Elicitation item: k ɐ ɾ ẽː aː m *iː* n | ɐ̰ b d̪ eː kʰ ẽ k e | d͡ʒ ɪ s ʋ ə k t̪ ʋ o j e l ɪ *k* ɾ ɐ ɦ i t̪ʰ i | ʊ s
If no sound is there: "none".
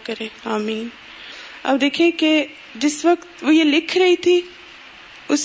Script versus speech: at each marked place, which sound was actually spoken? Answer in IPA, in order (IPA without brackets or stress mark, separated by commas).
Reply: iː, kʰ